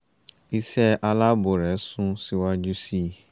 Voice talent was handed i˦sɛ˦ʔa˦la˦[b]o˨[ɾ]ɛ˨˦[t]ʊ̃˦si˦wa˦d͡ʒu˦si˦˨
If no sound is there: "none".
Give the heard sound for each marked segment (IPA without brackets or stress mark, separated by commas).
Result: b, ɾ, s